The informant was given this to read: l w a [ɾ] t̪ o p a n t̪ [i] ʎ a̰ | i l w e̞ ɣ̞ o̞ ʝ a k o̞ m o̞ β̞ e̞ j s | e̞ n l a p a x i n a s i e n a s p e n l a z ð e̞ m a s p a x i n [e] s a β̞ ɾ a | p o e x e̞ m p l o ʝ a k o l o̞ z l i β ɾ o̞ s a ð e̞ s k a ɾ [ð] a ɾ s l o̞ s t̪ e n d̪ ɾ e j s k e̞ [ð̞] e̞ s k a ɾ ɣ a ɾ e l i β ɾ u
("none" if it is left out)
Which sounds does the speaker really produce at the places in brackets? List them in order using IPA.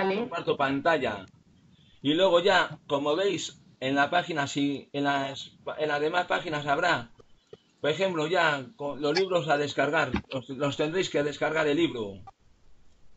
ɾ, a, a, ɣ, ð̞

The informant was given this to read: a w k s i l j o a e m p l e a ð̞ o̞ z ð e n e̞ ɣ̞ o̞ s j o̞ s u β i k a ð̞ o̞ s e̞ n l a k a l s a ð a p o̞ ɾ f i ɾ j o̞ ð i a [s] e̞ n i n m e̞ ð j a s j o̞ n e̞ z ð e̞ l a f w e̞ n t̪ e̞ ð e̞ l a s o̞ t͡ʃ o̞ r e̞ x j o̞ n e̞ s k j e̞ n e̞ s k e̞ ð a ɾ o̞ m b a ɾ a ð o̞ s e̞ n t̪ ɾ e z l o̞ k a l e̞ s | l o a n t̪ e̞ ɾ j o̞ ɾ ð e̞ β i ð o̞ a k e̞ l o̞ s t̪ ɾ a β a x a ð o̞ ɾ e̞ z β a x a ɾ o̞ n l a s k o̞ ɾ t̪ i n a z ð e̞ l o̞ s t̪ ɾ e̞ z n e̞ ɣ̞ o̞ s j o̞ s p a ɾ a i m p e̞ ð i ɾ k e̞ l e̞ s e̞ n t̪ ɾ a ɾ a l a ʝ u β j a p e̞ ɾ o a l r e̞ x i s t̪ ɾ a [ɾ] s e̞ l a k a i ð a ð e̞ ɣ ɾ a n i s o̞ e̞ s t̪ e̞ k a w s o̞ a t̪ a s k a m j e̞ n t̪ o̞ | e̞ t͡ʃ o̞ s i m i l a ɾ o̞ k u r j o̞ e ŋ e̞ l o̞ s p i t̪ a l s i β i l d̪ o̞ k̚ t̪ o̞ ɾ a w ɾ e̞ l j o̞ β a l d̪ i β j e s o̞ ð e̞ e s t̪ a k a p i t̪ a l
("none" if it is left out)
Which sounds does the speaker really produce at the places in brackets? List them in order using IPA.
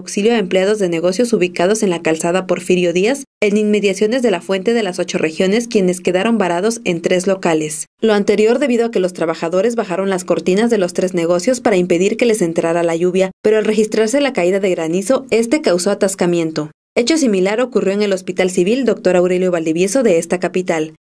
s, ɾ

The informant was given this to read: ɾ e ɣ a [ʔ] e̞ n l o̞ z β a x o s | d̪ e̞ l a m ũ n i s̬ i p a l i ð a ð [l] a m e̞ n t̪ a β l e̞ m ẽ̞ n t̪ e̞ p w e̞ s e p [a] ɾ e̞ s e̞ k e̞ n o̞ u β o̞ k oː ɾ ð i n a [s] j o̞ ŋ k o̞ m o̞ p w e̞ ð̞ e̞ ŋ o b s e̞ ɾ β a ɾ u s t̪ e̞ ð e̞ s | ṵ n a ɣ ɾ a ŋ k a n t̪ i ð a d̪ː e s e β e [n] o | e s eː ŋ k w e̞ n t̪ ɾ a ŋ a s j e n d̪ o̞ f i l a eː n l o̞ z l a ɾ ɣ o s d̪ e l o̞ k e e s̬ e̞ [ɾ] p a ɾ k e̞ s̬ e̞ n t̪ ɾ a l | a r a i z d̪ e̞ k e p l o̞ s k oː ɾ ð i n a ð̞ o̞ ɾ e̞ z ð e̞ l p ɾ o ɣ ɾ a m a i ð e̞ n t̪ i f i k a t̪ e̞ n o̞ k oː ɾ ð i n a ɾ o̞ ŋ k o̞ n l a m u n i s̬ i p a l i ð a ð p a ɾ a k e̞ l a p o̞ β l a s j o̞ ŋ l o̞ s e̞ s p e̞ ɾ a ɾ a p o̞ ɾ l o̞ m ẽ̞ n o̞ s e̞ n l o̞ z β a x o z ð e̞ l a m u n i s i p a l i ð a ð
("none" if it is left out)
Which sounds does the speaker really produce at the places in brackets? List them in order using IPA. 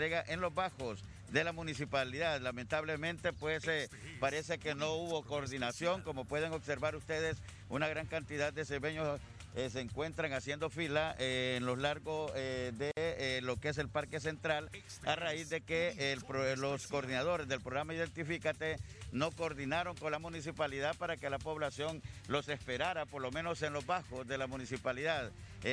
ʔ, l, a, s, ɲ, l

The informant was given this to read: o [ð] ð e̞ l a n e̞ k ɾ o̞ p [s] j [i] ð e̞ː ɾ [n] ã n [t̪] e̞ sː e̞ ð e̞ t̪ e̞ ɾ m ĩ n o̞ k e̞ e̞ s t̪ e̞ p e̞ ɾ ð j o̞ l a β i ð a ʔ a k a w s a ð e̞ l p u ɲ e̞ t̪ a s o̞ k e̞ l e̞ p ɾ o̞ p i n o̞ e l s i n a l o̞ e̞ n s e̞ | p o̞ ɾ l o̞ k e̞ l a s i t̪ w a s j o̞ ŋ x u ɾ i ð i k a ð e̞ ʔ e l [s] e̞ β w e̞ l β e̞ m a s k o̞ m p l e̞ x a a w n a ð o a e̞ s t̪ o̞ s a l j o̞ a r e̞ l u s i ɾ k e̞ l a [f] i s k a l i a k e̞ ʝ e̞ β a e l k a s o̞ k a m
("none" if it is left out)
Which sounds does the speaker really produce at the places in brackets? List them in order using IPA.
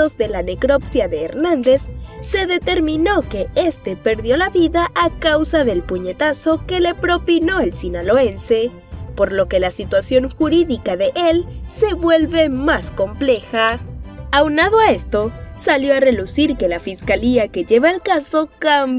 z, s, a, n, d̪, s, f

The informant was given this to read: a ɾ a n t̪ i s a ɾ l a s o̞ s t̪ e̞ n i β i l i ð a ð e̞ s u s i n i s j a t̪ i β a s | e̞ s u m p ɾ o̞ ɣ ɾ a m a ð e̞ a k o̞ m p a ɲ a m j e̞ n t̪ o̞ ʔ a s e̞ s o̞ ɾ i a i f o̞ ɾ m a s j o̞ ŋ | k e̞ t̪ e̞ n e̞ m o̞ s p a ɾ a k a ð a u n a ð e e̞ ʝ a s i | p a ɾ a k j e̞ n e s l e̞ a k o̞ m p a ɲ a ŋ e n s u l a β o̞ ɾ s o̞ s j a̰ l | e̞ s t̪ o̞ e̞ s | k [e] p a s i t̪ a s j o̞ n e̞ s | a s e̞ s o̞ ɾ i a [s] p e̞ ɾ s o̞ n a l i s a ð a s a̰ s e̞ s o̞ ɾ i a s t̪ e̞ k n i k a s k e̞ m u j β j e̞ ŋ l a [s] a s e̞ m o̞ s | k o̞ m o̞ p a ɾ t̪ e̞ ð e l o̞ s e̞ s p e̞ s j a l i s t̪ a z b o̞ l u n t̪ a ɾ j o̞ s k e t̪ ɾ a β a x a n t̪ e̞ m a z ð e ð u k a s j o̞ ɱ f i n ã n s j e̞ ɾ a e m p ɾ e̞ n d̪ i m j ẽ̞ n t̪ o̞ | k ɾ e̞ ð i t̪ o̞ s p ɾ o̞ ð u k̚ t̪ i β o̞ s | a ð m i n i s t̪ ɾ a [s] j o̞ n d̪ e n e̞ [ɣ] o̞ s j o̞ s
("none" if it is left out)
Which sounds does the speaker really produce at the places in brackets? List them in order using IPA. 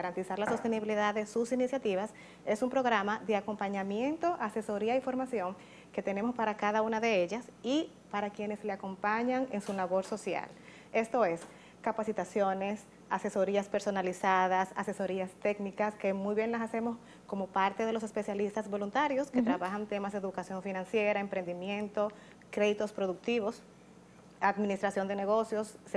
a, s, s, s, ɣ

